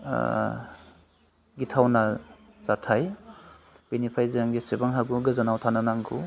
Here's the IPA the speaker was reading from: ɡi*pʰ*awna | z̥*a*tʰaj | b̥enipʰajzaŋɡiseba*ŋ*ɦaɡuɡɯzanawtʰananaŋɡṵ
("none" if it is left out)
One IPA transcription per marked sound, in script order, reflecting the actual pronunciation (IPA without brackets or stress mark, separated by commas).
tʰ, a, ŋ